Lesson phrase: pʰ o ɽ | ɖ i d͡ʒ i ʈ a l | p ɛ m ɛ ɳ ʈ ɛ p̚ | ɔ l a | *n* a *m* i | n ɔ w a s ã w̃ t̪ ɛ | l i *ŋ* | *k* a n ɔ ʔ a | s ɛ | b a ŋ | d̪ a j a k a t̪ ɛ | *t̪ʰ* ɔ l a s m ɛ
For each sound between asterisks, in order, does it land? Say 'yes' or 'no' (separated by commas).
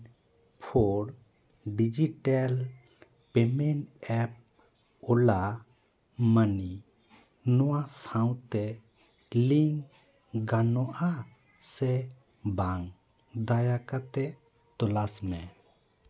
no, no, yes, no, no